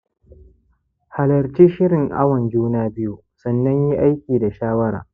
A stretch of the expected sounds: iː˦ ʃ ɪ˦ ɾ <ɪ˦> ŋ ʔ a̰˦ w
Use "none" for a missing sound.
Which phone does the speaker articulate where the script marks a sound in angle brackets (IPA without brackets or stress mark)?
ɪ˨